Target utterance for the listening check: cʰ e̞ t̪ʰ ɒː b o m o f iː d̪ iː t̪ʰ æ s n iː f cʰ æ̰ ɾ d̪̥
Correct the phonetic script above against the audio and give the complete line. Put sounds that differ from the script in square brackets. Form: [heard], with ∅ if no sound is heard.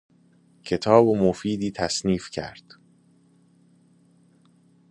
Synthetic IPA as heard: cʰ e̞ t̪ʰ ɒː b o m o f iː d̪ iː t̪ʰ æ s n iː f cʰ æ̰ ɾ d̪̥